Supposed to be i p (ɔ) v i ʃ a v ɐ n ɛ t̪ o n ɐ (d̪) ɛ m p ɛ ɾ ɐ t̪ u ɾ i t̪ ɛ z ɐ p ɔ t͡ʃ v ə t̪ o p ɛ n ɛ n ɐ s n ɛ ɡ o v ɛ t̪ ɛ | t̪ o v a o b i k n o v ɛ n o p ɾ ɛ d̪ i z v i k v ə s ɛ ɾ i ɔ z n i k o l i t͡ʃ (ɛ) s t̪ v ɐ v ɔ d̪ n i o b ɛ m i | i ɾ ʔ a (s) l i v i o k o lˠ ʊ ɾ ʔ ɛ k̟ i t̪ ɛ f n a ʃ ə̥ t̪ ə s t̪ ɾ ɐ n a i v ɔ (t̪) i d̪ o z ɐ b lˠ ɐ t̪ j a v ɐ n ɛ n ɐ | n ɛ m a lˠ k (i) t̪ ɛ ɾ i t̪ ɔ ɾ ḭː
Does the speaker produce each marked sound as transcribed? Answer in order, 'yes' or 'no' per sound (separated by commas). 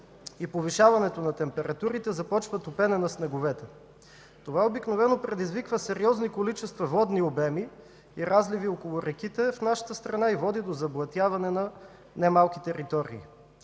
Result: no, no, yes, no, no, yes